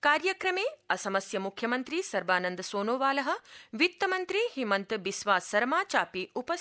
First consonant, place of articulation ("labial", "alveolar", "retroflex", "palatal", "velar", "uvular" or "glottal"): velar